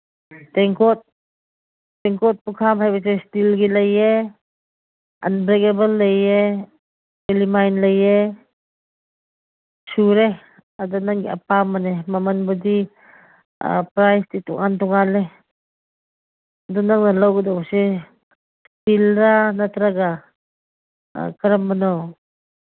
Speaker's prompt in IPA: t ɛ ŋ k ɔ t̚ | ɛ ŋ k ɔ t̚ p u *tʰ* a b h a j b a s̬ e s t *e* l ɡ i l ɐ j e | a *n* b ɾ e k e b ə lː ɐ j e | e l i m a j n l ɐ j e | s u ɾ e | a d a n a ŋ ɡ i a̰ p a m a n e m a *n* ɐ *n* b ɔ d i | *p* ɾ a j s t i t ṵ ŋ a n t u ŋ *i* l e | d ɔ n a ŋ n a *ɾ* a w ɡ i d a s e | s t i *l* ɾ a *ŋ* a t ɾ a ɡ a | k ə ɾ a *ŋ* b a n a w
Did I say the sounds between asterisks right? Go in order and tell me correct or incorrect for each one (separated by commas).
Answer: incorrect, incorrect, correct, incorrect, correct, correct, incorrect, incorrect, correct, incorrect, incorrect